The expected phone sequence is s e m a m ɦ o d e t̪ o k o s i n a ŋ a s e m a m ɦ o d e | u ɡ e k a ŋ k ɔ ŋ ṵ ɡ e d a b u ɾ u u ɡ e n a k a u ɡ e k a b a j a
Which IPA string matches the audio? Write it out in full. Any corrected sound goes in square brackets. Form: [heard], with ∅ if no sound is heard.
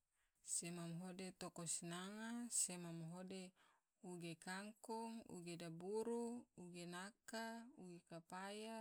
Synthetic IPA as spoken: s e m a m ɦ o d e t̪ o k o s i n a ŋ a s e m a m ɦ o d e | u ɡ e k a ŋ k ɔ ŋ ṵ ɡ e d a b u ɾ u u ɡ e n a k a u ɡ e k a [p] a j a